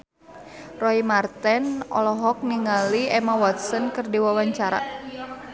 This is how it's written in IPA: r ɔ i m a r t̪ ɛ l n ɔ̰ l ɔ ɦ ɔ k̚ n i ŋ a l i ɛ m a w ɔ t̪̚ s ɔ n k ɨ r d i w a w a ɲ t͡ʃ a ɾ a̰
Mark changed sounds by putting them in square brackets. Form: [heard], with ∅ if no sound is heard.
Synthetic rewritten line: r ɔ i m a r t̪ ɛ [∅] n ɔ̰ l ɔ ɦ ɔ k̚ n i ŋ a l i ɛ m a w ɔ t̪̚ s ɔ n k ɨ r d i w a w a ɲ t͡ʃ a ɾ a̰